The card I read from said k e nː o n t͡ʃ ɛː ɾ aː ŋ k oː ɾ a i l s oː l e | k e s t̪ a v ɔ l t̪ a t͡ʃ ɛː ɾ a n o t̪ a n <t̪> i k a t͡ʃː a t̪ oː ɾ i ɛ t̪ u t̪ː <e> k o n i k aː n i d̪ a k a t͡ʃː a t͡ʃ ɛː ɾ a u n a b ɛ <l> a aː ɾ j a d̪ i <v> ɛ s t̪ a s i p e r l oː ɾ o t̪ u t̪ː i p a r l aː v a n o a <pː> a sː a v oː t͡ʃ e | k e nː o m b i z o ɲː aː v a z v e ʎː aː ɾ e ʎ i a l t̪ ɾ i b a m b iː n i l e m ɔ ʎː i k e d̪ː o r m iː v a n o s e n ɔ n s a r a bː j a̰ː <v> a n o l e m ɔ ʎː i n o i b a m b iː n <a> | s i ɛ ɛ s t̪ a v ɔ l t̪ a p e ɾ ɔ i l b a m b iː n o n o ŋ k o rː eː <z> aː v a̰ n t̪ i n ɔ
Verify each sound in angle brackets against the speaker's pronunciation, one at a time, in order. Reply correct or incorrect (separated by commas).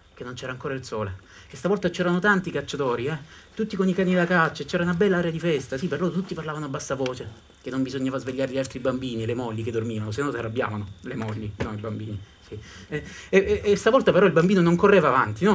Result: correct, incorrect, incorrect, incorrect, incorrect, correct, incorrect, incorrect